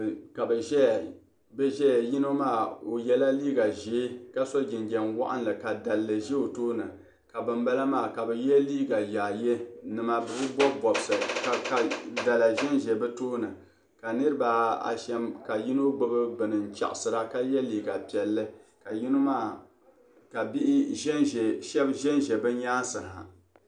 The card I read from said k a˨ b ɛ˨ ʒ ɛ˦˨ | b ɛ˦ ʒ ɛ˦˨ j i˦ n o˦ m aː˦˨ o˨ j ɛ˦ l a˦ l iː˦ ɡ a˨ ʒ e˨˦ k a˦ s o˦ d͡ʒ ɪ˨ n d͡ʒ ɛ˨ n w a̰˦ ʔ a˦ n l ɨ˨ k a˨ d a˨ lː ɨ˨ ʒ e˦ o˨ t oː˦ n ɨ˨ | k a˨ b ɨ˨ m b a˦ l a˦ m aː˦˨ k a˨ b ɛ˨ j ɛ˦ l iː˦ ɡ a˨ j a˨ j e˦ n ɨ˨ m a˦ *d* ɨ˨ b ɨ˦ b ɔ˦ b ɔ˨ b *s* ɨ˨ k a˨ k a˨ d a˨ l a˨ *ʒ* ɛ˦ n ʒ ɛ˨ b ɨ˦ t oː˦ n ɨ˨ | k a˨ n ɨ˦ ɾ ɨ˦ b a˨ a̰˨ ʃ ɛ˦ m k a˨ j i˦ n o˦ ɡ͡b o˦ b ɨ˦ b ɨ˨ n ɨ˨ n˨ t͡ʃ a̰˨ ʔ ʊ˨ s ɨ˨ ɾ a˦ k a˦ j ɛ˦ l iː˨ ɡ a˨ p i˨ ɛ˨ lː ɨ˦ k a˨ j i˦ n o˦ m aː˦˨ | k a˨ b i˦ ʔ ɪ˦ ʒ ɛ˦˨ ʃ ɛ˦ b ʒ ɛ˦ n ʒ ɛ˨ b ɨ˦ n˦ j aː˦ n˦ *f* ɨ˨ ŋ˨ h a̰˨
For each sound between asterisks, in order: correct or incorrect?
incorrect, correct, correct, incorrect

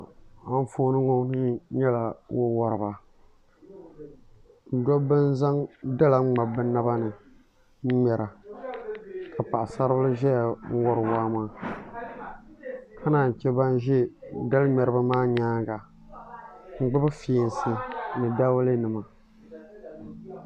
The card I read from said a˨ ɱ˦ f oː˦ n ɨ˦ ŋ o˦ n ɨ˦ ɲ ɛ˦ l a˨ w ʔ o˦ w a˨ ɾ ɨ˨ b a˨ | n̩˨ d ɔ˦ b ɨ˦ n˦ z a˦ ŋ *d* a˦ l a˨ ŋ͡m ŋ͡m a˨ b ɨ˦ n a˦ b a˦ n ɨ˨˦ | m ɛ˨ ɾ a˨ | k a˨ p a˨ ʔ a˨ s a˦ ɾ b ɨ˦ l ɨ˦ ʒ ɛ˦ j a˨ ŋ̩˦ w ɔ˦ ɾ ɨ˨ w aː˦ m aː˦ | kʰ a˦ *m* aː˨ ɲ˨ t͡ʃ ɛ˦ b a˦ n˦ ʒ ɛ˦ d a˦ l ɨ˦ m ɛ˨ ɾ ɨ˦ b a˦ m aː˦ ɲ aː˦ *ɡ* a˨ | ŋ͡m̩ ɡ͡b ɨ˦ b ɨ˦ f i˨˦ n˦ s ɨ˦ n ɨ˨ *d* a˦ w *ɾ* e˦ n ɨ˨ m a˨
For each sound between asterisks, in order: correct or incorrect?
correct, incorrect, correct, correct, incorrect

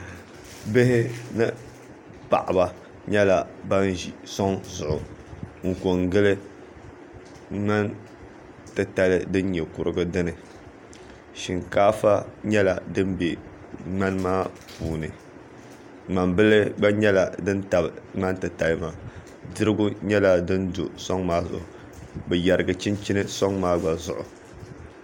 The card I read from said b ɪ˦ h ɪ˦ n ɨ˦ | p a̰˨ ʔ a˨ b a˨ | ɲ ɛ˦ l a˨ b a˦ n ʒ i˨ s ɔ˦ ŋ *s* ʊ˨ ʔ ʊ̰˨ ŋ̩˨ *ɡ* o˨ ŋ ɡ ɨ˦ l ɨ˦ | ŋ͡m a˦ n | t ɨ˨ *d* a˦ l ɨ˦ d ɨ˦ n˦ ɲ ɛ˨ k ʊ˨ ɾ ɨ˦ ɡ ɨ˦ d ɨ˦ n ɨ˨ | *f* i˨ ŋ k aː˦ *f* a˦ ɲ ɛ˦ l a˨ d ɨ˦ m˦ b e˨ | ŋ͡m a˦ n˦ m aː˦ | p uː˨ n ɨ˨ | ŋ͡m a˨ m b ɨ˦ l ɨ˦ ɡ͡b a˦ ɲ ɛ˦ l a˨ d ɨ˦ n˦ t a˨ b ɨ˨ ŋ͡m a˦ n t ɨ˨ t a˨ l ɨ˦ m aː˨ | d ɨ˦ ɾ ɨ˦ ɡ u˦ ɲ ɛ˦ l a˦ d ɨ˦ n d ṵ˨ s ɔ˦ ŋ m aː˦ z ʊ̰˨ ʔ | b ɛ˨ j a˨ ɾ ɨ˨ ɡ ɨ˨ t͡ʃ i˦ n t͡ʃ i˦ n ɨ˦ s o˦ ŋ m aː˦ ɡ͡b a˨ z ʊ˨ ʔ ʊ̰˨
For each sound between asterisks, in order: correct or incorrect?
incorrect, incorrect, incorrect, incorrect, correct

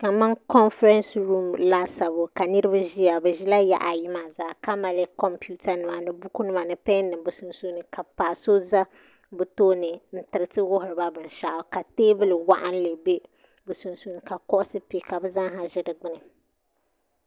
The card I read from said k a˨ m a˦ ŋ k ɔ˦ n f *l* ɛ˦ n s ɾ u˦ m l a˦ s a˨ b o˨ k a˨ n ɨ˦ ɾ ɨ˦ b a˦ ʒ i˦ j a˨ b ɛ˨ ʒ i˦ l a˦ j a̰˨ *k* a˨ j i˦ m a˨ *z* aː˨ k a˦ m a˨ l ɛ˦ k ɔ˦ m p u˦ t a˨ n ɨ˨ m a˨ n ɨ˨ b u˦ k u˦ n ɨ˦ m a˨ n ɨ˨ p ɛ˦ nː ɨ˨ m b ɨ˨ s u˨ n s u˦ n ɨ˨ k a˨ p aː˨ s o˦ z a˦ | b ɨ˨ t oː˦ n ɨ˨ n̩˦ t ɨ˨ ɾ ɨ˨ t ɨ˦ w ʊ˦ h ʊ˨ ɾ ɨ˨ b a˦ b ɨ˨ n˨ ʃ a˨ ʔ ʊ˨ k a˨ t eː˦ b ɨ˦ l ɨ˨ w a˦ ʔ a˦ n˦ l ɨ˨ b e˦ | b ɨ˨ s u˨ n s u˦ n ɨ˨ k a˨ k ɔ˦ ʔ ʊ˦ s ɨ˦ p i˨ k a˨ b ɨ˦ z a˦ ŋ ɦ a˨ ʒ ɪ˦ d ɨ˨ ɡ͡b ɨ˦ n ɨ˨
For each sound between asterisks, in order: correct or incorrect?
incorrect, incorrect, correct

